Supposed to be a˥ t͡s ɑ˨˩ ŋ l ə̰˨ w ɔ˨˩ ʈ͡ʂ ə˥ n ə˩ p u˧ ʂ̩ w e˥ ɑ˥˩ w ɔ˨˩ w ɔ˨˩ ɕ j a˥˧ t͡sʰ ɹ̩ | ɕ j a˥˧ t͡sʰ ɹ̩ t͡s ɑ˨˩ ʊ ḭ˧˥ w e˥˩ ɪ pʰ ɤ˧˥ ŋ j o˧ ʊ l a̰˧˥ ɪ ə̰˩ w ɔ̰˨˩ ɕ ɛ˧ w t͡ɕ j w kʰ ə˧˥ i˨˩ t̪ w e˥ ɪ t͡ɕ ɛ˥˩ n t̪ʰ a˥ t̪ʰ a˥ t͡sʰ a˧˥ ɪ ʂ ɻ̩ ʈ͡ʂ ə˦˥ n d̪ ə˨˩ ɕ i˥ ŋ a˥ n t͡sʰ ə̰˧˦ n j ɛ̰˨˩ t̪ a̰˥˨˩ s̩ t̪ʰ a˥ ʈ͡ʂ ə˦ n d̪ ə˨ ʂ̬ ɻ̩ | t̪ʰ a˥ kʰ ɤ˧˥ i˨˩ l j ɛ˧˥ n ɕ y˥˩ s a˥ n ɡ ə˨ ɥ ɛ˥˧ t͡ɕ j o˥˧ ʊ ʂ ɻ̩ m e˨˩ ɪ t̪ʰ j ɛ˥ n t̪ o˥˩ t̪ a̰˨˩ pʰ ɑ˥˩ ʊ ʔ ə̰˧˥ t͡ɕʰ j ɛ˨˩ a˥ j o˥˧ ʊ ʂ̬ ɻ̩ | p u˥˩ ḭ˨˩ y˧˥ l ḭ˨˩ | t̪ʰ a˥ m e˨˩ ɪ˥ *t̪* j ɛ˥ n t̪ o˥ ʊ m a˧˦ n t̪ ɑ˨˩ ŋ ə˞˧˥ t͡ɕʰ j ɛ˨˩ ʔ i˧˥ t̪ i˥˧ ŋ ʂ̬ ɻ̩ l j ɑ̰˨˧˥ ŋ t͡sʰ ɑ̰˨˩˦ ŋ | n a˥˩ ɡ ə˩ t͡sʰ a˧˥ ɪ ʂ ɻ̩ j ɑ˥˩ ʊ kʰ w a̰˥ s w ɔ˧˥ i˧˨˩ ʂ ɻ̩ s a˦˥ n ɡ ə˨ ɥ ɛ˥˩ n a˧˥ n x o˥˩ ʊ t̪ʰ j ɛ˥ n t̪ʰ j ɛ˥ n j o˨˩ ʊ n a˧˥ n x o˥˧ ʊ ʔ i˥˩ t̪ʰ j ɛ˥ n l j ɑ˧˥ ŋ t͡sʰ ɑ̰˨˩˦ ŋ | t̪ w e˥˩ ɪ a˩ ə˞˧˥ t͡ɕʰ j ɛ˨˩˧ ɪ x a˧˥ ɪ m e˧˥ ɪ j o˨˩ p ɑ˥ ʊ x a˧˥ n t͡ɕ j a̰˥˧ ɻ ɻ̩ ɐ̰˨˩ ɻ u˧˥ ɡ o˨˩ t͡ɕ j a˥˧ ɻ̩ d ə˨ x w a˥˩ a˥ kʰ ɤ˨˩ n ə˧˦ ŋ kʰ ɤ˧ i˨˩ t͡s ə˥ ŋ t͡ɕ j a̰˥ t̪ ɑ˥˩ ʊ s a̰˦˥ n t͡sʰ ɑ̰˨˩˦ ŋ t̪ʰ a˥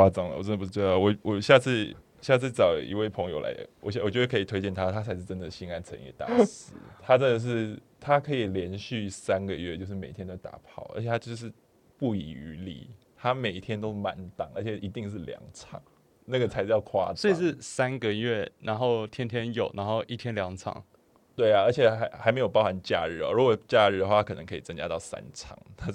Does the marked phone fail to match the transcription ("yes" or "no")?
yes